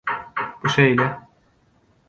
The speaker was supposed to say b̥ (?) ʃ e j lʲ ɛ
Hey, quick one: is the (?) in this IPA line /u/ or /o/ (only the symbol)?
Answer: u